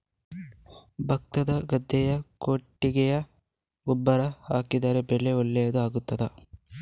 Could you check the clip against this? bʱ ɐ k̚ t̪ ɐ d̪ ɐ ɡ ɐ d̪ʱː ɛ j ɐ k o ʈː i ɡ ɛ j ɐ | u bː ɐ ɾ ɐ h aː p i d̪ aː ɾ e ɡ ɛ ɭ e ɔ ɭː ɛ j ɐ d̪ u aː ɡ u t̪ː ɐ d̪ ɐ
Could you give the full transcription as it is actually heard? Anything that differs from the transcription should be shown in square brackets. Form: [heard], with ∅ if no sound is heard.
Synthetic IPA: bʱ ɐ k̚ t̪ ɐ d̪ ɐ ɡ ɐ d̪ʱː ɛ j ɐ k o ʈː i ɡ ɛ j ɐ | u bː ɐ ɾ ɐ h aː [k] i d̪ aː ɾ e [b] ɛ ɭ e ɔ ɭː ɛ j ɐ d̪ u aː ɡ u t̪ː ɐ d̪ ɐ